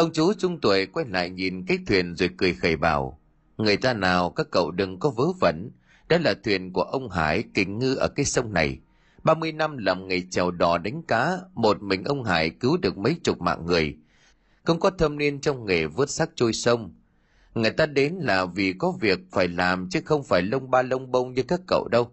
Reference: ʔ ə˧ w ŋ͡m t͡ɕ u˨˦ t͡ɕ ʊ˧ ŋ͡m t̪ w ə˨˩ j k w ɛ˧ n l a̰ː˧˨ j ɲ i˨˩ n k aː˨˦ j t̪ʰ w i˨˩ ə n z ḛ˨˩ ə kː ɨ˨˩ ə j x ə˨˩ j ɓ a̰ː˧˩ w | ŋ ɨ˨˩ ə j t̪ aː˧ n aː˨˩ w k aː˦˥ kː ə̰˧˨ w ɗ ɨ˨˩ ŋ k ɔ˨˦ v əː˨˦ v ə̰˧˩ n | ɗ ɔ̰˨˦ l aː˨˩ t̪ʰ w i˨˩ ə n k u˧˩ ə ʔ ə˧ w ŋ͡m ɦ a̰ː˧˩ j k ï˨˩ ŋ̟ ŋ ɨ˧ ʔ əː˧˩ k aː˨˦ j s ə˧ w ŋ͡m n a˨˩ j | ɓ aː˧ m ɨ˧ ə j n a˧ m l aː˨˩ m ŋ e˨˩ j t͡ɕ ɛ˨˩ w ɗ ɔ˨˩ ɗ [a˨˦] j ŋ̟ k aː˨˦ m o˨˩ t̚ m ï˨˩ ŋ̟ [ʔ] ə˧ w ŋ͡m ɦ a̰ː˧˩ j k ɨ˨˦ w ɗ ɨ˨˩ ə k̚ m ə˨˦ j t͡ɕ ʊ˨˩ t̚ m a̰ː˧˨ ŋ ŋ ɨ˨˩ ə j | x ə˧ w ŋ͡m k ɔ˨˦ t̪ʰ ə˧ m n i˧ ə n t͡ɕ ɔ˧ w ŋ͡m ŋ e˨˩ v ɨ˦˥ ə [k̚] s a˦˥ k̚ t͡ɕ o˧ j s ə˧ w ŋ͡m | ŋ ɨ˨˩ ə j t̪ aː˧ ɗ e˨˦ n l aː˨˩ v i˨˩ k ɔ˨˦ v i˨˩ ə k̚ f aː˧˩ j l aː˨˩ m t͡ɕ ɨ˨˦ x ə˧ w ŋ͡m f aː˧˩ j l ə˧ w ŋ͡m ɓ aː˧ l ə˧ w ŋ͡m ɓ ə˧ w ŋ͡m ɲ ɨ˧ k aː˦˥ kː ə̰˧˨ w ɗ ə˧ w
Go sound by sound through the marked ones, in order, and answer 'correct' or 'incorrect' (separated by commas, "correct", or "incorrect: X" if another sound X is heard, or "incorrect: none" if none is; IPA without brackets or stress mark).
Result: correct, correct, incorrect: t̚